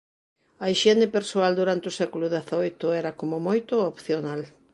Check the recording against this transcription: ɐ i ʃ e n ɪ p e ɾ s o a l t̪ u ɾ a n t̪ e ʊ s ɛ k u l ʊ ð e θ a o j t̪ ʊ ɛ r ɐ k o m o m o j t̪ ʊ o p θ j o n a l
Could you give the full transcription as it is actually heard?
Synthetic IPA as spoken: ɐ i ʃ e n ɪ p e ɾ s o a l d̪ u ɾ a n t̪ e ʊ s ɛ k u l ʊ ð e θ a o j t̪ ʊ ɛ ɾ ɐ k o m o m o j t̪ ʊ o p θ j o n a l